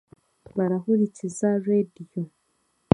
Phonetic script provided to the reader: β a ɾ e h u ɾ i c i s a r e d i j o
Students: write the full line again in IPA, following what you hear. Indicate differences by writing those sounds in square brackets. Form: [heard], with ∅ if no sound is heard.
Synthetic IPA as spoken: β a ɾ [a] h u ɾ i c i [z] a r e d i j o

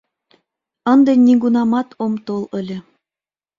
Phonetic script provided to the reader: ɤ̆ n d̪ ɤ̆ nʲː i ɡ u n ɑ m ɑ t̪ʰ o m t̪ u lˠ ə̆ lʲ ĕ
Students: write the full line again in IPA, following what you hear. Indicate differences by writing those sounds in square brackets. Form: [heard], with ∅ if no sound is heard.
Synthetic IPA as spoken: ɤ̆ n d̪ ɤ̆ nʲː i ɡ u n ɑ m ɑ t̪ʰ o m t̪ [o] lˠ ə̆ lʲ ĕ

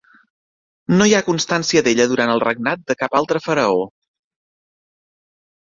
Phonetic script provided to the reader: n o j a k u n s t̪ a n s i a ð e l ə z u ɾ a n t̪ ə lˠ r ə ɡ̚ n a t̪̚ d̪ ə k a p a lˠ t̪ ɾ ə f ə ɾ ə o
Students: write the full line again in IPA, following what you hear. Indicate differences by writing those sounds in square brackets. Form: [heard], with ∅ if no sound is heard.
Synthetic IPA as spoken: n o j a k u n s t̪ a n s i [ə] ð e [ʎ] ə [ð] u ɾ a n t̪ ə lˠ r ə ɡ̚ n a t̪̚ d̪ ə k a p a lˠ t̪ ɾ ə f ə ɾ ə o

